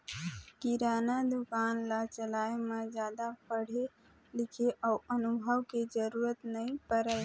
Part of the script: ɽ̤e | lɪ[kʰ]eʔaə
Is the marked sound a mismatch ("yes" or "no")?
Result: no